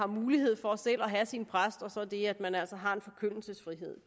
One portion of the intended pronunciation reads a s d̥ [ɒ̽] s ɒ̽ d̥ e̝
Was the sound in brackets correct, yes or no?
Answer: yes